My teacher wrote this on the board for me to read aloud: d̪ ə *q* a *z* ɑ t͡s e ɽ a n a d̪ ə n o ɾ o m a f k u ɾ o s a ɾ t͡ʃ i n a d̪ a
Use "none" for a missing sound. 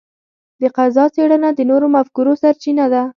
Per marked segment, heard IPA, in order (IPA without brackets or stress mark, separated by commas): q, z